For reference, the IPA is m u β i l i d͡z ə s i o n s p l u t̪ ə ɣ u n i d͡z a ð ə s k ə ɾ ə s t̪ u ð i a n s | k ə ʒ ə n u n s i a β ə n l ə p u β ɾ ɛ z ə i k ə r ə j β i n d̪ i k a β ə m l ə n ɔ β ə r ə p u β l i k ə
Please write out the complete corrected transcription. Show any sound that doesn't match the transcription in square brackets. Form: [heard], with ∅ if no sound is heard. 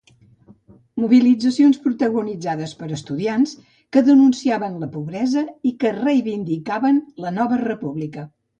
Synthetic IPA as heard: m u β i l i d͡z ə s i o n s p [ɾ] u t̪ ə ɣ u n i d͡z a ð ə s [p] ə ɾ ə s t̪ u ð i a n s | k ə [ð] ə n u n s i a β ə n l ə p u β ɾ ɛ z ə i k ə r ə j β i n d̪ i k a β ə [n] l ə n ɔ β ə r ə p u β l i k ə